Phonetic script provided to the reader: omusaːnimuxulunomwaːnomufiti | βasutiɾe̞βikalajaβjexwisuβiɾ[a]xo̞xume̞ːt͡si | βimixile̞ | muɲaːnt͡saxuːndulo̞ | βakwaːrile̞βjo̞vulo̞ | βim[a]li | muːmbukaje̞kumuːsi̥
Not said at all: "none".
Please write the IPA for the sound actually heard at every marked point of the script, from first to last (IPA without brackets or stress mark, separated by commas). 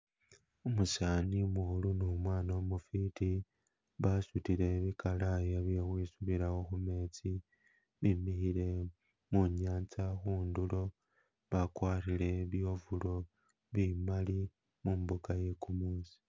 a, a